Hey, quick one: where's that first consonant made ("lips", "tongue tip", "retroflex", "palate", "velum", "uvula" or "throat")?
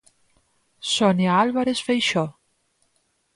tongue tip